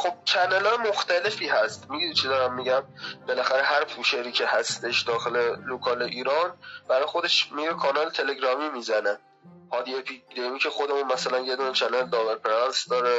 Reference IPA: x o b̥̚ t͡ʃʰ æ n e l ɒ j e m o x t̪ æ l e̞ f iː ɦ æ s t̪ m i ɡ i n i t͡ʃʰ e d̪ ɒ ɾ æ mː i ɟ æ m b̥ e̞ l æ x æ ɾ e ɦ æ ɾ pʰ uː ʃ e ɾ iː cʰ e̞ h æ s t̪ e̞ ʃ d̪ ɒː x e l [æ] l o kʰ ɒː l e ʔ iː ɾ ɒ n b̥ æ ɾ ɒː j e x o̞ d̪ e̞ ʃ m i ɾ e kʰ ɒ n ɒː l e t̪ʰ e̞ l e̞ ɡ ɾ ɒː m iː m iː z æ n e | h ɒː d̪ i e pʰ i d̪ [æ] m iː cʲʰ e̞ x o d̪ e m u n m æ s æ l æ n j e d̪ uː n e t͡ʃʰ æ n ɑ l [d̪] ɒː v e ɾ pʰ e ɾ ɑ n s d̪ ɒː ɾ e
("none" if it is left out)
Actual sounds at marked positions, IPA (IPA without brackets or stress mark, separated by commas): e, e, d̪